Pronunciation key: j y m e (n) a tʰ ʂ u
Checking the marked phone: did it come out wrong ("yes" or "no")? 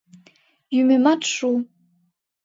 yes